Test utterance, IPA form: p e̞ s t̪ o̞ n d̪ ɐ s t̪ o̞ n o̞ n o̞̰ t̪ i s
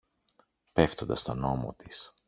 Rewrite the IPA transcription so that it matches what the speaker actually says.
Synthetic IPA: p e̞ f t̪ o̞ n d̪ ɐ s t̪ o̞ n o̞ m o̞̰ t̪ i s